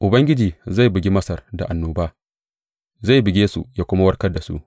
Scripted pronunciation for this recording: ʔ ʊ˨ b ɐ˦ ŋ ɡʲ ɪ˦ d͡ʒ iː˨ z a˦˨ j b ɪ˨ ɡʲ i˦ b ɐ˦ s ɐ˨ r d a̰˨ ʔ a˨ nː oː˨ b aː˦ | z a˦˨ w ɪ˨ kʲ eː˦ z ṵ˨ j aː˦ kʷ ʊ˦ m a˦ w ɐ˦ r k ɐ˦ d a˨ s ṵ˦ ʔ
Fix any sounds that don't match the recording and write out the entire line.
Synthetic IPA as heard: ʔ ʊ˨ b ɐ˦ ŋ ɡʲ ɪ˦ d͡ʒ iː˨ z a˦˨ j b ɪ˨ ɡʲ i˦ m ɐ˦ s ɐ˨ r d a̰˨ ʔ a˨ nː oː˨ b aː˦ | z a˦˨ b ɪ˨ ɡʲ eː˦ s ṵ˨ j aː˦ kʷ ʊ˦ m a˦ w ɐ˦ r k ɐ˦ d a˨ s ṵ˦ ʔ